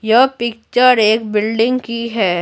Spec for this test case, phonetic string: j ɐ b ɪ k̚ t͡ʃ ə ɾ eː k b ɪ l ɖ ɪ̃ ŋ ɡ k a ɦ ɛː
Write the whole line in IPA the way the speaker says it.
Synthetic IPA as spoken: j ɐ p ɪ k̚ t͡ʃ ə ɾ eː k b ɪ l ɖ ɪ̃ ŋ ɡ k i ɦ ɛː